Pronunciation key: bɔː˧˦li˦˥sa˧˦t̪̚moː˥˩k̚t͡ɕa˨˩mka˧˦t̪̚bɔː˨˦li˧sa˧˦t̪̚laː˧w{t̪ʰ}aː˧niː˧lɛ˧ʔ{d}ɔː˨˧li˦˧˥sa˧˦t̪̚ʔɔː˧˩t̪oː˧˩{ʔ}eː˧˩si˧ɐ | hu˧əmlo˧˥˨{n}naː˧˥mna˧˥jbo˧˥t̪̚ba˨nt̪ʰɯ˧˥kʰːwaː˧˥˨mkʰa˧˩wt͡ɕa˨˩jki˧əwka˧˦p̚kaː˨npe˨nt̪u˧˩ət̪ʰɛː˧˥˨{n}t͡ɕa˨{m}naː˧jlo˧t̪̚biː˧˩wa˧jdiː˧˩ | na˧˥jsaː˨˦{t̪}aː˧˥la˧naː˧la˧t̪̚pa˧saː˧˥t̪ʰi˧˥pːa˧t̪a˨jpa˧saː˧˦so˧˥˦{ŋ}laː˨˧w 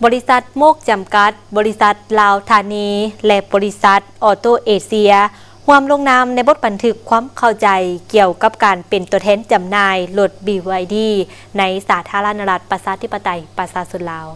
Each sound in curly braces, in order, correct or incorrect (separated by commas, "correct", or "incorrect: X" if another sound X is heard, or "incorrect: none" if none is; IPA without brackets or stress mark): correct, incorrect: b, correct, incorrect: ŋ, correct, correct, incorrect: t̪ʰ, incorrect: n